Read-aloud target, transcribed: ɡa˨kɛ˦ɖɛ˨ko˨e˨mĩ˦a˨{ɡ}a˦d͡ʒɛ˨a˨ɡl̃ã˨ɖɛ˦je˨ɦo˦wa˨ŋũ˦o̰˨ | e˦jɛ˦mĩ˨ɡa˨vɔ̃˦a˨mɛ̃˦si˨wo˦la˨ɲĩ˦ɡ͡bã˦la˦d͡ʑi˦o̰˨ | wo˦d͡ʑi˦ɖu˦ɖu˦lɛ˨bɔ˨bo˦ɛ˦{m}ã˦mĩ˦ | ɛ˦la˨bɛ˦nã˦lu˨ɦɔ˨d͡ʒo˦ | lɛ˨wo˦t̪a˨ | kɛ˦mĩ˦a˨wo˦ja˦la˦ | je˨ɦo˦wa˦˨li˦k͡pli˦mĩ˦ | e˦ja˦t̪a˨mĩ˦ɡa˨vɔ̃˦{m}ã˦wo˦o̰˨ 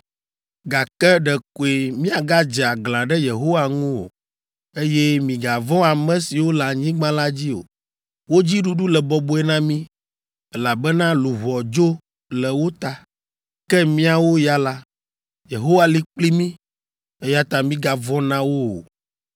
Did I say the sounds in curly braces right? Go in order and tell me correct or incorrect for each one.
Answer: correct, incorrect: n, incorrect: n

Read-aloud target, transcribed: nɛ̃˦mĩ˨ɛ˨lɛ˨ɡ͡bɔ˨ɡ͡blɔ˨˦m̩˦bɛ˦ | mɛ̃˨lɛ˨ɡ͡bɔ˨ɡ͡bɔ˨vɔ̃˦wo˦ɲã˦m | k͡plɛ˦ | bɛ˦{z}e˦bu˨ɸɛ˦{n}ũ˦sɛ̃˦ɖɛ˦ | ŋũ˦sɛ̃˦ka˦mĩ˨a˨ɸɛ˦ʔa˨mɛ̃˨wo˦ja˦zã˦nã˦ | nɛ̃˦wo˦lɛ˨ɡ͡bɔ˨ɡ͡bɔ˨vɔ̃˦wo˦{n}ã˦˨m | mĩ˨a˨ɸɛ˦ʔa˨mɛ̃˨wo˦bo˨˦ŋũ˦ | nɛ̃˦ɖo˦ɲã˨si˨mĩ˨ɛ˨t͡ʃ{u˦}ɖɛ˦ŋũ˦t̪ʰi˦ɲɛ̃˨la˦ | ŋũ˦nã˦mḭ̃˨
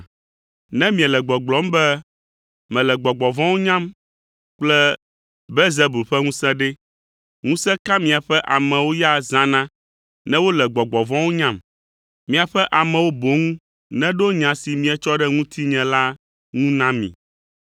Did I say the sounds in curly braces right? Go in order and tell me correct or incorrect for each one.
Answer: correct, incorrect: ŋ, incorrect: ɲ, incorrect: ɔ˦

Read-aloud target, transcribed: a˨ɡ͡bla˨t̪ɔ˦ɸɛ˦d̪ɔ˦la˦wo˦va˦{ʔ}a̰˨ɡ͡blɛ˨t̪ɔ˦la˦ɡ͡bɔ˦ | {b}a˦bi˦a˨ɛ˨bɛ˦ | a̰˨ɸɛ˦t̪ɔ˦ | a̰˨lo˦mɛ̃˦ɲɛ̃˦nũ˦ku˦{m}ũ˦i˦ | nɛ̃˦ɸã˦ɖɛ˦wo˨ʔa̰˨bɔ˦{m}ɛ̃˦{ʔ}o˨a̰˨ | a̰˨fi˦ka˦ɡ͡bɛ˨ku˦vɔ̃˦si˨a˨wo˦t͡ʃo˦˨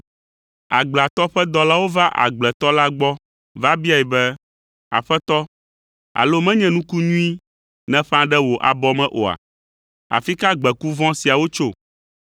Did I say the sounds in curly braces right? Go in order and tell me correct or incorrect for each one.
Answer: correct, incorrect: v, incorrect: ɲ, correct, correct

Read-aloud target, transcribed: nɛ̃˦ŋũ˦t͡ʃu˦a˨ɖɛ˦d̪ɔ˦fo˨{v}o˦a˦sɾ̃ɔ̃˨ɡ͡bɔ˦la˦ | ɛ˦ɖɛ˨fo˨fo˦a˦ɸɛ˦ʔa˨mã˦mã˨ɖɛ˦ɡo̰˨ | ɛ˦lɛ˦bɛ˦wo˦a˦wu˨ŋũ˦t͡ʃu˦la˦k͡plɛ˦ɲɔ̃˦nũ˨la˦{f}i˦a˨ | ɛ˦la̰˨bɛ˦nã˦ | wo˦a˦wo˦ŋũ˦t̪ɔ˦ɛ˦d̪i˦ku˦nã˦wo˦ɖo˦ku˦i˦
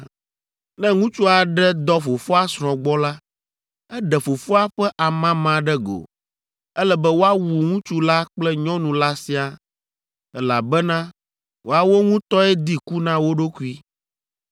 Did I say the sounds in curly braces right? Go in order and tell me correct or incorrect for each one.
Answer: incorrect: f, incorrect: s

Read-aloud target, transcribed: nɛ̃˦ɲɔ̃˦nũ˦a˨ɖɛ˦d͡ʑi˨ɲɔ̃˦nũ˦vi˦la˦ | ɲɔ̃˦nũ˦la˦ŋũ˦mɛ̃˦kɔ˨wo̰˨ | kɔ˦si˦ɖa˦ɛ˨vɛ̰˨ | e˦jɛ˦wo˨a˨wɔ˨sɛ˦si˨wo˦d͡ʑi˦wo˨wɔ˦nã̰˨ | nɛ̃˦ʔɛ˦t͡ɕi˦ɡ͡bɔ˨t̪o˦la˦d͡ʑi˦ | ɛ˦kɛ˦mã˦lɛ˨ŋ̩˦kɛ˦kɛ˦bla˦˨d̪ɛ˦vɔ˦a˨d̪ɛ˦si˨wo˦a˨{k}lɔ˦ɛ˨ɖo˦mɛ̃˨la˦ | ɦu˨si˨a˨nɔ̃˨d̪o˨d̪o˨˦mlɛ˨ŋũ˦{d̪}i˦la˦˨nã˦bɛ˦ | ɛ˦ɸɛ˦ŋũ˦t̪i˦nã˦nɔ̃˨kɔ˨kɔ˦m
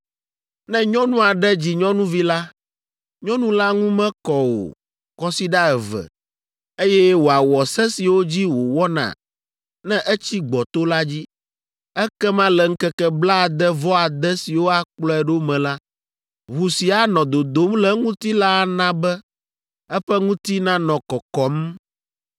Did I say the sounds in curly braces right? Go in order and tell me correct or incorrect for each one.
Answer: incorrect: k͡p, incorrect: t̪

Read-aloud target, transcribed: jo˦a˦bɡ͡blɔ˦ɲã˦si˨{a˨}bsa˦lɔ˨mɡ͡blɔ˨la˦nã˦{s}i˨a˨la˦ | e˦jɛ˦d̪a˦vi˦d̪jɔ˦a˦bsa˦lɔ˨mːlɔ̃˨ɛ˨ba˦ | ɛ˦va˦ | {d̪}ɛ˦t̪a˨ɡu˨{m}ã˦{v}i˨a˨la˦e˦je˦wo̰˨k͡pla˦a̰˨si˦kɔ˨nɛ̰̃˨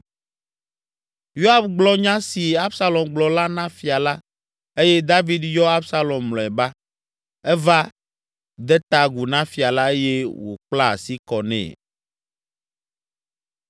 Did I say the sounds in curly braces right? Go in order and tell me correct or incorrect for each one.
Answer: incorrect: a˦, incorrect: f, correct, incorrect: n, incorrect: f

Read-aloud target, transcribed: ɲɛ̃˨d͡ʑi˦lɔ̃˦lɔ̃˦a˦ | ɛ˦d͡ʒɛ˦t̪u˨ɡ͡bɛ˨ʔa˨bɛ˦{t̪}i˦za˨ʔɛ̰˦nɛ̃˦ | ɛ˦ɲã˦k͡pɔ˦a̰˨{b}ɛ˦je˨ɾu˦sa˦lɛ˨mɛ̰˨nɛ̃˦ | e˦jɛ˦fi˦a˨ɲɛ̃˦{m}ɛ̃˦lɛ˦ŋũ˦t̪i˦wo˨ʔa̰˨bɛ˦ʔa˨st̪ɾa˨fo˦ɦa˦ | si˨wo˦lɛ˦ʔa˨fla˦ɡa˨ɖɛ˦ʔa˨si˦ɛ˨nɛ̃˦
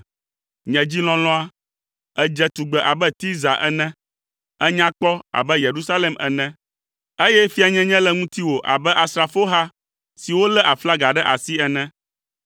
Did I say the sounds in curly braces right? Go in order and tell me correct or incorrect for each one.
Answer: correct, correct, incorrect: ɲ

